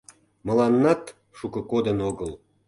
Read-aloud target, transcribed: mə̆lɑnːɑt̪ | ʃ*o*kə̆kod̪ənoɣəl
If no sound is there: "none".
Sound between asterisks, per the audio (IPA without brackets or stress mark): u